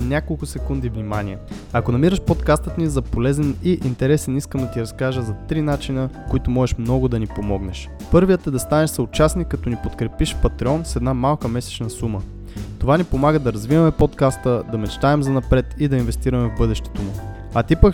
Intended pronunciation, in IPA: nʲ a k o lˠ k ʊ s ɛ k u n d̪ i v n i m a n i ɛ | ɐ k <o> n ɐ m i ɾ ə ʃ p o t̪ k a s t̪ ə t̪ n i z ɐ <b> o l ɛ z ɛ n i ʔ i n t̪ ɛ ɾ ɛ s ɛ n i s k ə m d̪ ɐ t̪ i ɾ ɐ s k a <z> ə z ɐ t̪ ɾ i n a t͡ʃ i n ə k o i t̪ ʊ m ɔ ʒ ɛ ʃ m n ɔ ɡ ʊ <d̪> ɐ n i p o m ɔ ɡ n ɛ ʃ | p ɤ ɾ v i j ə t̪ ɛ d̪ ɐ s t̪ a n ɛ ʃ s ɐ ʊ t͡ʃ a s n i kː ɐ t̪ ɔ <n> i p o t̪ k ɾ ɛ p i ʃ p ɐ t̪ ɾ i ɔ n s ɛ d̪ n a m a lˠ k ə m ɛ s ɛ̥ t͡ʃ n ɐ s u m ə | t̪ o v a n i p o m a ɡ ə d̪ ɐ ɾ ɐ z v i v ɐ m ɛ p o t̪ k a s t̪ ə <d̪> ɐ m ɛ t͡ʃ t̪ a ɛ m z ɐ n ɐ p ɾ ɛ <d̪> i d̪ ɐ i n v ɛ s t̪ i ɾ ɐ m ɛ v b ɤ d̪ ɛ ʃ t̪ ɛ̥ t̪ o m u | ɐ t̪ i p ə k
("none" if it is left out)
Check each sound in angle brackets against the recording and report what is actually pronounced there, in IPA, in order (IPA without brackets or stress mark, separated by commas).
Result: o, p, ʒ, d̪, n, d̪, t̪